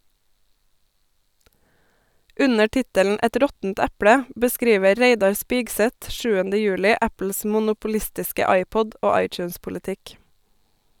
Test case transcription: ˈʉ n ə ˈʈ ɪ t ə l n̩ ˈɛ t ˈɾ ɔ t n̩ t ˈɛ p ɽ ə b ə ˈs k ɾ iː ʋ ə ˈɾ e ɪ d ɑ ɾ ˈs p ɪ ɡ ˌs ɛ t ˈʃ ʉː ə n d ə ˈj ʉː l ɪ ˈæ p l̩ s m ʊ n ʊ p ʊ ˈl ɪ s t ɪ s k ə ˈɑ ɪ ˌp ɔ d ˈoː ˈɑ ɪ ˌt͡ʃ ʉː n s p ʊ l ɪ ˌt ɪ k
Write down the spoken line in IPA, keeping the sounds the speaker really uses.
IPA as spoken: ˈʉ n ə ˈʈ ɪ t ə l n̩ ˈɛ t ˈɾ ɔ t n̩ t ˈɛ p ɽ ə b ə ˈs k ɾ iː ʋ ə ˈɾ e ɪ d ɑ ɾ ˈs p ɪ ɡ ˌs ɛ t ˈʃ ʉː ə n d ə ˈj ʉː l ɪ ˈæ p l̩ s m ʊ n ʊ p ʊ ˈl ɪ s t ɪ s k ə ˈɑ ɪ ˌp ɔ d ˈoː ˈɑ ɪ ˌt͡ʃ ʉː n s p ʊ l ɪ ˌt ɪ k

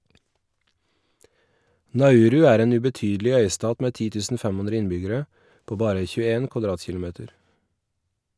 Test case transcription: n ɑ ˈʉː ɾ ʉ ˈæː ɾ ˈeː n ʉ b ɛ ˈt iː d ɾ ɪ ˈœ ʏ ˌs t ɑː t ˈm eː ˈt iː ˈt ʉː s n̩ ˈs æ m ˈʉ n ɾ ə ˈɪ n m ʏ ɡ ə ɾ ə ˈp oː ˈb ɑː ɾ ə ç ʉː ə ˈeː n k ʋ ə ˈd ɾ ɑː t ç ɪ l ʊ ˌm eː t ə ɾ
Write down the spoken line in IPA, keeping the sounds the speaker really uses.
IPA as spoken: n ɑ ˈʉː ɾ ʉ ˈæː ɾ ˈeː n ʉ b ɛ ˈt yː d l ɪ ˈœ ʏ ˌs t ɑː t ˈm eː ˈt iː ˈt ʉː s n̩ ˈf æ m ˈʉ n ɾ ə ˈɪ n b ʏ ɡ ə ɾ ə ˈp oː ˈb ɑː ɾ ə ç ʉː ə ˈeː n k ʋ ɑ ˈd ɾ ɑː t ç ɪ l ʊ ˌm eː t ə ɾ

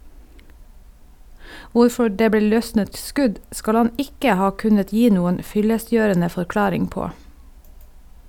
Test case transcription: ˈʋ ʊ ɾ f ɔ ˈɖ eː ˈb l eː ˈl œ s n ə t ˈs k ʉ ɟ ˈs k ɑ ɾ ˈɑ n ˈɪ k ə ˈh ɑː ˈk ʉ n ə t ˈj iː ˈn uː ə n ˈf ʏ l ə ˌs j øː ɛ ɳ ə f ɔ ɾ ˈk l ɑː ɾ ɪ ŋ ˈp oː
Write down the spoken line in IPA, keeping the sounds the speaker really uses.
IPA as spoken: ˈʋ ʊ ɾ f ɔ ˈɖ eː ˈb l eː ˈl œ s n ə t ˈs k ʉ ɟ ˈs k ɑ l ˈɑ n ˈɪ k ə ˈh ɑː ˈk ʉ n ə t ˈj iː ˈn uː ə n ˈf ʏ l ə ˌs j øː ɛ ɳ ə f ɔ ɾ ˈk l ɑː ɾ ɪ ŋ ˈp oː

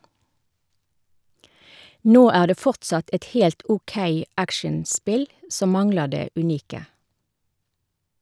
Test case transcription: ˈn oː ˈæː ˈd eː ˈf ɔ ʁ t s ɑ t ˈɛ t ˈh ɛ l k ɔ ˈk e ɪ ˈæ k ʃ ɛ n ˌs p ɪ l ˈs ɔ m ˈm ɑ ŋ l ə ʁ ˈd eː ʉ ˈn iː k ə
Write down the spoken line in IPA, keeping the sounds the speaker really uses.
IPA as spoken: ˈn oː ˈæː ˈd eː ˈf ɔ ʁ t s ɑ t ˈɛ t ˈh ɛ l t ɔ ˈk e ɪ ˈæ k ʃ ɛ n ˌs p ɪ l ˈs ɔ m ˈm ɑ ŋ l ə ʁ ˈd eː ʉ ˈn iː k ə

